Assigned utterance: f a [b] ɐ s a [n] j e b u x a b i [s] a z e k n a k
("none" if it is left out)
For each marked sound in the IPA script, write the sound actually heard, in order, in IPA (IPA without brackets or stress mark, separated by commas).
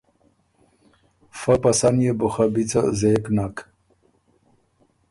p, n, t͡s